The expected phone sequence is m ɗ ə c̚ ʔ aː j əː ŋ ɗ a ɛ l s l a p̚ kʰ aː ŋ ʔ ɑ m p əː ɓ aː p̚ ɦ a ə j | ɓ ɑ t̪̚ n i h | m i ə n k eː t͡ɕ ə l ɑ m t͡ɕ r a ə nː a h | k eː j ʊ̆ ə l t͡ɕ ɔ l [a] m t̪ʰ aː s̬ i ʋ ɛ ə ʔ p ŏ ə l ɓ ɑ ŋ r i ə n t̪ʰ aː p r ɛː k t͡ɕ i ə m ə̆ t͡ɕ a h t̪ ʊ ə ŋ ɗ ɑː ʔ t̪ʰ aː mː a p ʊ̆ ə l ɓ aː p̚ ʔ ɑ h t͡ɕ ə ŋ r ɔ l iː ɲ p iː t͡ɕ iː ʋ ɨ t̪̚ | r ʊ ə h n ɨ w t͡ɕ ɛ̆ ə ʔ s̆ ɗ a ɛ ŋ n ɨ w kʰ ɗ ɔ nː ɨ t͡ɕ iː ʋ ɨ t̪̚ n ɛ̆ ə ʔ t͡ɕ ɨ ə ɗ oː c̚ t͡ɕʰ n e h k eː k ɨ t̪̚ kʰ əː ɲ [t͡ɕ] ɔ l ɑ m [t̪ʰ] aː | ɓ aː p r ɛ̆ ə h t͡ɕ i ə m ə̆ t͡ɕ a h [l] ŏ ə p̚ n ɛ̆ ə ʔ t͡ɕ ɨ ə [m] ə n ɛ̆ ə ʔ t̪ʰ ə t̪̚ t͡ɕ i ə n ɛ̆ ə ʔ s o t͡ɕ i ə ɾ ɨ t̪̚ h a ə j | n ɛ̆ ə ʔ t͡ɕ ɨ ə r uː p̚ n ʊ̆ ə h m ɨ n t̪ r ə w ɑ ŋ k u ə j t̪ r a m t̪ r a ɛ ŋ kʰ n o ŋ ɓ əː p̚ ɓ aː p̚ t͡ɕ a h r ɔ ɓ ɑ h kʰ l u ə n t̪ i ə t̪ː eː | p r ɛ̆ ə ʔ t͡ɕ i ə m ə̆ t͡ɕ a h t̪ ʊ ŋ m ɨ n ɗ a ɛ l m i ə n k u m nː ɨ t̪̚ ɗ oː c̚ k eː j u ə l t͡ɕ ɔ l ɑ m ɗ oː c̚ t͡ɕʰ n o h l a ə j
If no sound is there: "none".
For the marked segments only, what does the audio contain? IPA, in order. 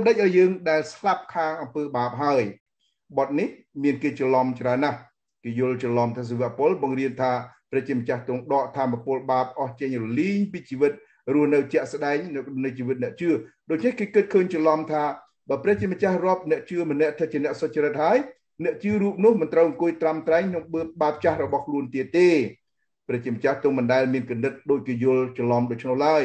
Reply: ɑ, t͡ɕ, t̪ʰ, r, m

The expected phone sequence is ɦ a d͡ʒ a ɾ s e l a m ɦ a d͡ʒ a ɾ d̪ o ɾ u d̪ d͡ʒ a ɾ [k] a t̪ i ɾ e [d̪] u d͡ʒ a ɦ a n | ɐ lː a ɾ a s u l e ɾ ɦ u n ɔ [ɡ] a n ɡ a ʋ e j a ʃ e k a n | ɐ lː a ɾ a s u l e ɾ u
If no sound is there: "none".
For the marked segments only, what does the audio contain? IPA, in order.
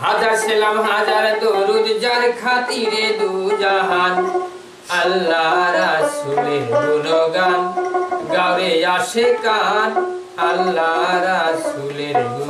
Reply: kʰ, d̪, ɡ

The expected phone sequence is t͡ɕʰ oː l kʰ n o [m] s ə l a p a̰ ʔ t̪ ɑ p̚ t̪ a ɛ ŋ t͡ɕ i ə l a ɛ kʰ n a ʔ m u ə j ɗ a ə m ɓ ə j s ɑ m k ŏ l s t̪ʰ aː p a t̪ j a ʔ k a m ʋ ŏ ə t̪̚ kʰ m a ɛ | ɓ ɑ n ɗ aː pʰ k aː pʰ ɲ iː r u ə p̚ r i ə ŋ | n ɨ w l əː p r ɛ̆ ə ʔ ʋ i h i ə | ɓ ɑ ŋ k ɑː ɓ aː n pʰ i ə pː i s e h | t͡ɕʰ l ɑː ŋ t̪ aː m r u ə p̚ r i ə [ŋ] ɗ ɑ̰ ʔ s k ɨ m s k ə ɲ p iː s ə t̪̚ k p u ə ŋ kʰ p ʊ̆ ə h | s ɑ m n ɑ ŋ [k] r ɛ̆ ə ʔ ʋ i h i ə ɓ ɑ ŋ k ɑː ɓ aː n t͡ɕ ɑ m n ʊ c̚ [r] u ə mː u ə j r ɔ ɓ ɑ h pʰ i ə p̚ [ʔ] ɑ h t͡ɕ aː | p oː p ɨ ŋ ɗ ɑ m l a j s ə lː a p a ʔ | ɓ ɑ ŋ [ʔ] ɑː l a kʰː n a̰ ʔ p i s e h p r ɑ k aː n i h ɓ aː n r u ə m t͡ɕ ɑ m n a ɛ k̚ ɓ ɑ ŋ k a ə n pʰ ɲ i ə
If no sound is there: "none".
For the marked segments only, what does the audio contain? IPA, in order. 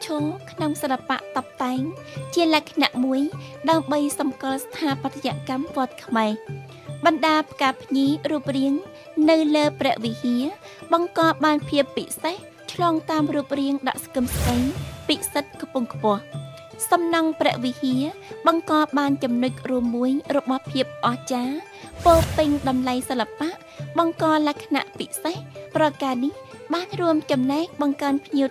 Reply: ŋ, ŋ, p, r, ʔ, k

